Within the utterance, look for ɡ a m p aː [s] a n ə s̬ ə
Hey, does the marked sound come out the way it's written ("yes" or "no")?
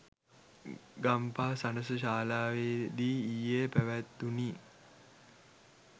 yes